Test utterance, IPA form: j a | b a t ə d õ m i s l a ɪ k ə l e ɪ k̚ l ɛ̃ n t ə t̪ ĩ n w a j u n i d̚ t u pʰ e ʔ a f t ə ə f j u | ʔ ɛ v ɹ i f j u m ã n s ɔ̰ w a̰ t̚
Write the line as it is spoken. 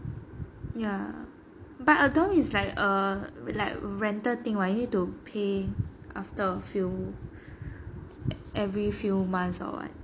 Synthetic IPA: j a | b a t ə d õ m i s l a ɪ k ə l a ɪ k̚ ɹ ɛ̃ n t ə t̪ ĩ ŋ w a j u n i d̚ t u pʰ e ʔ a f t ə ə f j u | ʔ ɛ v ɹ i f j u m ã n s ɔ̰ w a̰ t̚